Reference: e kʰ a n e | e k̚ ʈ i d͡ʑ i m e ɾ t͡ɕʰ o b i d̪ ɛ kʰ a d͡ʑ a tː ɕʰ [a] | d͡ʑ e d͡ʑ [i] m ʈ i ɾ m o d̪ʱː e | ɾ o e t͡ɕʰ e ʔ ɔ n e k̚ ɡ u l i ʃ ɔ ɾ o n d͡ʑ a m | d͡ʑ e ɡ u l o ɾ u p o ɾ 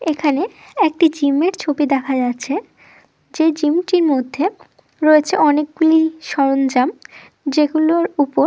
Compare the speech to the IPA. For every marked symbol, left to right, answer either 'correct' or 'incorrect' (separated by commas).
incorrect, correct